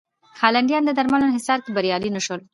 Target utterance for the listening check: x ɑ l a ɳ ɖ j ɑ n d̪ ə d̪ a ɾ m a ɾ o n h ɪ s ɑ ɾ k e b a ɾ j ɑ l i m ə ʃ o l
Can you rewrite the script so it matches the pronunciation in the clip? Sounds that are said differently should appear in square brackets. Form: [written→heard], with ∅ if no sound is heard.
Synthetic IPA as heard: x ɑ l a ɳ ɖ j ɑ n d̪ ə d̪ a ɾ m a [ɾ→l] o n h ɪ s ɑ ɾ k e b a ɾ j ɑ l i [m→n] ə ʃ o l

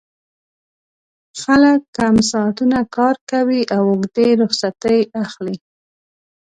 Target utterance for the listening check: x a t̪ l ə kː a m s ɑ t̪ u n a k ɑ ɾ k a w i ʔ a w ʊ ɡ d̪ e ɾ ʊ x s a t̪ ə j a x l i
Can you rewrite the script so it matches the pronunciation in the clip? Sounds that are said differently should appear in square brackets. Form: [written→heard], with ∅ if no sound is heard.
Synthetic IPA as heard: x a [t̪→∅] l ə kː a m s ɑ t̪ u n a k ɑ ɾ k a w i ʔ a w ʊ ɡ d̪ e ɾ ʊ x s a t̪ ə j a x l i

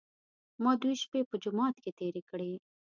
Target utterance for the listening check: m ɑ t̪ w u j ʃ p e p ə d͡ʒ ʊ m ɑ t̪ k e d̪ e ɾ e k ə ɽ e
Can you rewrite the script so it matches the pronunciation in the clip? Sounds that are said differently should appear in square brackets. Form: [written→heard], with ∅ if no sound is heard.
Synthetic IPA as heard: m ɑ [t̪→d̪] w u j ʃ p e p ə d͡ʒ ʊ m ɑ t̪ k e [d̪→t̪] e ɾ e k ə ɽ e

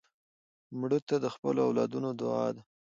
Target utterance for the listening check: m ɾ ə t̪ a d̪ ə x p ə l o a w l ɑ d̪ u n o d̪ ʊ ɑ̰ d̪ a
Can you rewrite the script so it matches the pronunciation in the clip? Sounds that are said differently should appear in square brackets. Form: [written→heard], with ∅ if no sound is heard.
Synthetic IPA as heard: m [ɾ→ɽ] ə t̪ a d̪ ə x p ə l o a w l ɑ d̪ u n o d̪ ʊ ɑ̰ d̪ a

